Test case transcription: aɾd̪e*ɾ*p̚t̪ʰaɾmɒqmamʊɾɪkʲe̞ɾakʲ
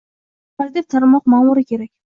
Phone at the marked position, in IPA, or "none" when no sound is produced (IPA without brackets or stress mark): none